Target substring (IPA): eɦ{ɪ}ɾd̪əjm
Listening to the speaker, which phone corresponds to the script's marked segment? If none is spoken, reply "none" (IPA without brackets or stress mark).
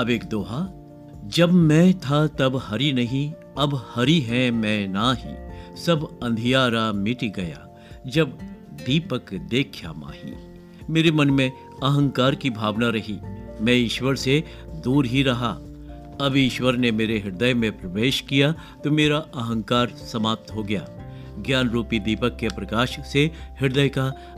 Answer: ɪ